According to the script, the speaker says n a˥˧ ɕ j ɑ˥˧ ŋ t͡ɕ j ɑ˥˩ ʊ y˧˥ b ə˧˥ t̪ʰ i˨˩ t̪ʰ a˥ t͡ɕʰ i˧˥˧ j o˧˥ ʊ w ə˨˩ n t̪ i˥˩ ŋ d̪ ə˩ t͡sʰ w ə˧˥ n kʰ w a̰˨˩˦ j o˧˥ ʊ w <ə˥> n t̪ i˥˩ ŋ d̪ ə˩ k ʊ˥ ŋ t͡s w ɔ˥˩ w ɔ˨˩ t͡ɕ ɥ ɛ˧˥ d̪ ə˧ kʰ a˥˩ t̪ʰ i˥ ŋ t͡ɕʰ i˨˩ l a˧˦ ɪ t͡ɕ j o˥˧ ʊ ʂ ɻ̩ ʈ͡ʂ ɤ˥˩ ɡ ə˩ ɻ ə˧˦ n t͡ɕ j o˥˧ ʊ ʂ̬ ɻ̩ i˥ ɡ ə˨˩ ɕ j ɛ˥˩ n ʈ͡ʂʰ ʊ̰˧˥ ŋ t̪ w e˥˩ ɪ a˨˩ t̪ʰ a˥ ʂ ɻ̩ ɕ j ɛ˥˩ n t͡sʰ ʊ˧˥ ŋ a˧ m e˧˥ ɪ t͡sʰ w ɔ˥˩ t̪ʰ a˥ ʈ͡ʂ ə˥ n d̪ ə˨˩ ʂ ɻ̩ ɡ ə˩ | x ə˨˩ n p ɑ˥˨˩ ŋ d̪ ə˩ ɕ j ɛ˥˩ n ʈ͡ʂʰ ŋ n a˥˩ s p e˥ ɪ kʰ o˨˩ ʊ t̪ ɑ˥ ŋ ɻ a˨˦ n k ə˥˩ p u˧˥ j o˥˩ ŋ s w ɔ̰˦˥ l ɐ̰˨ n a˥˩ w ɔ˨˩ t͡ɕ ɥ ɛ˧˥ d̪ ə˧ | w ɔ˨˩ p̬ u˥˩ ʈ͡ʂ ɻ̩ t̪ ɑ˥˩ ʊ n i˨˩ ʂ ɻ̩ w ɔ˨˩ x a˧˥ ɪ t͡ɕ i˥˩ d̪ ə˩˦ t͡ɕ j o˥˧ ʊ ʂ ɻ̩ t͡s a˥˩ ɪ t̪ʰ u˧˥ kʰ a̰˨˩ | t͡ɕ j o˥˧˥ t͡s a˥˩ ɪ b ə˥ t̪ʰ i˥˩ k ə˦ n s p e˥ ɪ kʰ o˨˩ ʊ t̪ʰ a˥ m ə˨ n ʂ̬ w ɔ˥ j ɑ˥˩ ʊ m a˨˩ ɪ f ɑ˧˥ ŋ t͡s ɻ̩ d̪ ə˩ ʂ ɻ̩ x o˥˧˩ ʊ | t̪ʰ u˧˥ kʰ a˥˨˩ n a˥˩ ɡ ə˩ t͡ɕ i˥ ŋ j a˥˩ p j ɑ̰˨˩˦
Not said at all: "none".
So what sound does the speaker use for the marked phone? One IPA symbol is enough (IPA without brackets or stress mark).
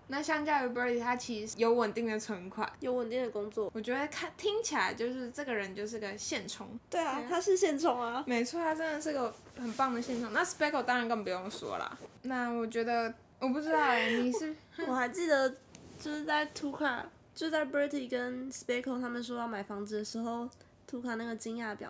ə˨˩